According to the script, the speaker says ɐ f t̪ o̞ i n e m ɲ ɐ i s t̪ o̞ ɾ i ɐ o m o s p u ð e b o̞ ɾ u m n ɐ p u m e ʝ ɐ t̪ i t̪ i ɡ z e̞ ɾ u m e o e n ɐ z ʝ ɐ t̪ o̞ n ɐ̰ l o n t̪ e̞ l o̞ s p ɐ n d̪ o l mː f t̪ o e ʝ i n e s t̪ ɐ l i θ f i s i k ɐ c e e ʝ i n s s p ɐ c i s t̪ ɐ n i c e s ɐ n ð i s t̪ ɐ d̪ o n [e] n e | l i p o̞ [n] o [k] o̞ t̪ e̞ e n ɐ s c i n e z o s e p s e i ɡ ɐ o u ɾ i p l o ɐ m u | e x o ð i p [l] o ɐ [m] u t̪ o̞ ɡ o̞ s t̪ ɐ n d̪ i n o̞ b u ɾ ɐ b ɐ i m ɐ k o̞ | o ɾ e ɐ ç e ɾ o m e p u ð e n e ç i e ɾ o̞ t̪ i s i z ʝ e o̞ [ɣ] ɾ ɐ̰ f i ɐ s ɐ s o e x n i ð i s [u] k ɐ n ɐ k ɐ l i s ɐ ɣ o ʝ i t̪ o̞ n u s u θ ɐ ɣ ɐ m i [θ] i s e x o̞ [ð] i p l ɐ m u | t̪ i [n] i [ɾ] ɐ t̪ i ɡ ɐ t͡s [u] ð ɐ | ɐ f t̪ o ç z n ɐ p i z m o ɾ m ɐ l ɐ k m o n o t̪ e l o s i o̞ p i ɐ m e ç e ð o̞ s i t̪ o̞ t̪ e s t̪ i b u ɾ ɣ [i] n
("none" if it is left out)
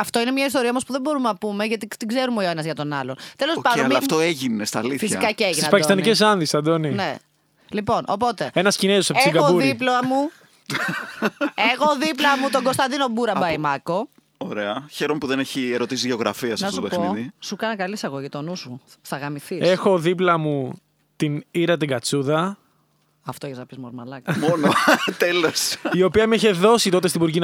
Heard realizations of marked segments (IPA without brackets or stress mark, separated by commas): i, n, p, l, m, ɣ, u, θ, ð, n, ɾ, u, i